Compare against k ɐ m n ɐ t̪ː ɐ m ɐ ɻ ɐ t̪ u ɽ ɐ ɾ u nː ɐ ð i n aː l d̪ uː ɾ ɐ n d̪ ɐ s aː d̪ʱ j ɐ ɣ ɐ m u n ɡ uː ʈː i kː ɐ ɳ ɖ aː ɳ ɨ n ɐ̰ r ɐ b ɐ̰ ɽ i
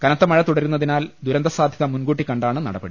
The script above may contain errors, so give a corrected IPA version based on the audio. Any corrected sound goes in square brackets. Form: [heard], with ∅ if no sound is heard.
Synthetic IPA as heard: k ɐ [∅] n ɐ t̪ː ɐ m ɐ ɻ ɐ t̪ u ɽ ɐ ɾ u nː ɐ ð i n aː l d̪ [u] ɾ ɐ n d̪ ɐ s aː d̪ʱ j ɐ [ð] ɐ m u n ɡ uː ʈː i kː ɐ ɳ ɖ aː ɳ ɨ n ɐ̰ [ɽ] ɐ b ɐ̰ ɽ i